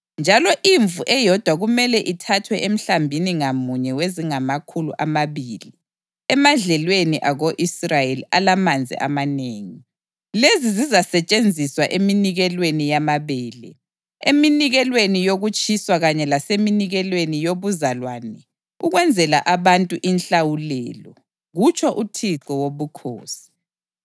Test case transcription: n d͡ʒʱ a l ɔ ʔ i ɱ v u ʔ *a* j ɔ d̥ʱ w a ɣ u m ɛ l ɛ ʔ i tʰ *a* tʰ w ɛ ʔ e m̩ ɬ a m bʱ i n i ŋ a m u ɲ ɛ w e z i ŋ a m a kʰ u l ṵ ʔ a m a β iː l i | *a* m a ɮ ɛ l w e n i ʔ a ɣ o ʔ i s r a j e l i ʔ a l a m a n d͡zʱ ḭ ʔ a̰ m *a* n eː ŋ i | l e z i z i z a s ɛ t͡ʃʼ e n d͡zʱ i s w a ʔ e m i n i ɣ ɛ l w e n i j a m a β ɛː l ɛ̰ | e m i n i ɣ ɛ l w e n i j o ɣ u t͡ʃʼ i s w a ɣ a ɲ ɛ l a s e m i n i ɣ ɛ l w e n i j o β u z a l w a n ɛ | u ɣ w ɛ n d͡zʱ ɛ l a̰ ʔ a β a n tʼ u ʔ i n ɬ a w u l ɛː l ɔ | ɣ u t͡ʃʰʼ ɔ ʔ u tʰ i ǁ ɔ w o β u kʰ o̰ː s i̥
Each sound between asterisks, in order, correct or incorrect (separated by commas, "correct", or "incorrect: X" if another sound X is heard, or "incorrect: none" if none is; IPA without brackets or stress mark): incorrect: ɛ, correct, incorrect: ɛ, correct